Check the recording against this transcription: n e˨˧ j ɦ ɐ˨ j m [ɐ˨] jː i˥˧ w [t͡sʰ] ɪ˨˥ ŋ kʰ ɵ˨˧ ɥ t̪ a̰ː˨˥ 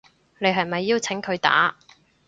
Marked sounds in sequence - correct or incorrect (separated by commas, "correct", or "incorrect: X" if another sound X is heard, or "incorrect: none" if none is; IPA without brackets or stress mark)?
correct, correct